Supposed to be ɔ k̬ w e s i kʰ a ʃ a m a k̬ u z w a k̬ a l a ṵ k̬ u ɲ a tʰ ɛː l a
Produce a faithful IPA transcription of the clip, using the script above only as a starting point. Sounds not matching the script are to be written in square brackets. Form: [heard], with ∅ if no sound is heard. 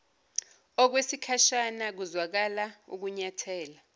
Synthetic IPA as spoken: ɔ k̬ w e s i kʰ a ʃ a [n] a k̬ u z w a k̬ a l a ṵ k̬ u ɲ a tʰ ɛː l a

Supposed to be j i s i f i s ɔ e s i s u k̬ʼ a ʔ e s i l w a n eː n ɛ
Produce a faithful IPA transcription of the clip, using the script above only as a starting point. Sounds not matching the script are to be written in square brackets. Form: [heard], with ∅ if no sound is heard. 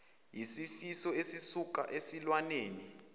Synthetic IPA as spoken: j i s i f i s ɔ e s i s u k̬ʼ a ʔ e s i l w a n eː n [i]

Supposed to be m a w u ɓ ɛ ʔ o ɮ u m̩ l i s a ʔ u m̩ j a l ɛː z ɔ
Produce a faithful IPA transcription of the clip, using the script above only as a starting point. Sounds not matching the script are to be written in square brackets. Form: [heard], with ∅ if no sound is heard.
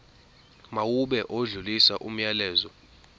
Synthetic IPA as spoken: m a w u ɓ ɛ ʔ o ɮ u [∅] l i s a ʔ u m̩ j a l ɛː z ɔ

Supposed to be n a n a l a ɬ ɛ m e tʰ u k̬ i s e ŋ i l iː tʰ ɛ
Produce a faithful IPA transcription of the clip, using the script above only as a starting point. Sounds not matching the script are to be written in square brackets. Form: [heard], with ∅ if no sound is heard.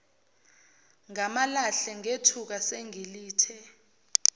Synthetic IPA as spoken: [ŋ] a [m] a l a ɬ ɛ [ŋ] e tʰ u k̬ [a] s e ŋ i l iː tʰ ɛ

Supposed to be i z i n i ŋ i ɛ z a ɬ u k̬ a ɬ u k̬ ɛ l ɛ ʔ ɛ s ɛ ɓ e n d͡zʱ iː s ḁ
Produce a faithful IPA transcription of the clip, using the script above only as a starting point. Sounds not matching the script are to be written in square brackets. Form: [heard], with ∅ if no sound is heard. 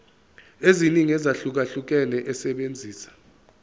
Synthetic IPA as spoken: [e] z i n i ŋ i ɛ z a ɬ u k̬ a ɬ u k̬ ɛ l ɛ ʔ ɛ s ɛ ɓ e n d͡zʱ iː s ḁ

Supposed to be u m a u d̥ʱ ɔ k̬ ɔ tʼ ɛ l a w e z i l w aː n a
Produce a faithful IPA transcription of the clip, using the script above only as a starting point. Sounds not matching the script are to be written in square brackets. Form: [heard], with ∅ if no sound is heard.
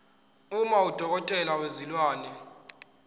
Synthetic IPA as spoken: u m a u d̥ʱ ɔ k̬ ɔ tʼ ɛ l a w e z i l w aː n [ɛ]

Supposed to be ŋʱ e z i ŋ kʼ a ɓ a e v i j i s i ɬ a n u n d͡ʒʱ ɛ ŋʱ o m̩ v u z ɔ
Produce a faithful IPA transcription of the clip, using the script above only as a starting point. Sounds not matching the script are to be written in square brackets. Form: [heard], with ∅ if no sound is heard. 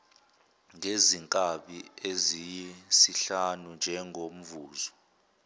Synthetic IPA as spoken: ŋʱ e z i ŋ kʼ a ɓ [i] e [z] i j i s i ɬ a n u n d͡ʒʱ ɛ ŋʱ o m̩ v [uː] z ɔ

